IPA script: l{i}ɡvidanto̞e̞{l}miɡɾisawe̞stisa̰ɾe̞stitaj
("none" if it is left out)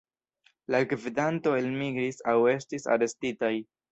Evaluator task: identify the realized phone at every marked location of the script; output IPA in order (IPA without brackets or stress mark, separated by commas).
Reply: a, l